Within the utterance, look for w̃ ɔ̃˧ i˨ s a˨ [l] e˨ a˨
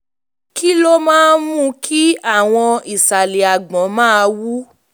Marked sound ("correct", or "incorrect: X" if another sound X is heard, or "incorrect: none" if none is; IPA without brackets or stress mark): correct